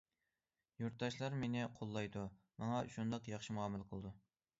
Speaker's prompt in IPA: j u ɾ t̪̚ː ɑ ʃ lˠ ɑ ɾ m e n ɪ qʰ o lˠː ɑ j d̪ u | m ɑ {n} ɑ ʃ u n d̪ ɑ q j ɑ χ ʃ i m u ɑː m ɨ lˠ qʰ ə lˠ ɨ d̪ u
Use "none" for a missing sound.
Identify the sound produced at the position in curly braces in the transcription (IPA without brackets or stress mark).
ŋ